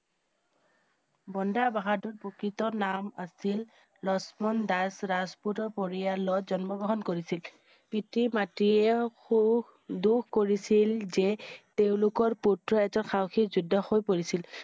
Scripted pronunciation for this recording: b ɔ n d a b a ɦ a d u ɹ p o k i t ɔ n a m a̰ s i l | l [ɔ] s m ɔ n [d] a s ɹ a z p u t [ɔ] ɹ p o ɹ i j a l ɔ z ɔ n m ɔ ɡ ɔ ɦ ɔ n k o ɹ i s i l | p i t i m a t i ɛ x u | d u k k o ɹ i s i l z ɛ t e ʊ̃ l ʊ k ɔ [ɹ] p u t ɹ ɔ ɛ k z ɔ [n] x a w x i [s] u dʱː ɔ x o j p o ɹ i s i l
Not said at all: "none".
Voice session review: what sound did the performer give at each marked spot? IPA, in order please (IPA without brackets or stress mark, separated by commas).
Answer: ɔ, d, ɔ, ɹ, n, z